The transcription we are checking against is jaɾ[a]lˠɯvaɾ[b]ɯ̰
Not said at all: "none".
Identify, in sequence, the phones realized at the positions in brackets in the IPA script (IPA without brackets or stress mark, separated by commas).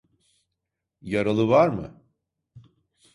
a, m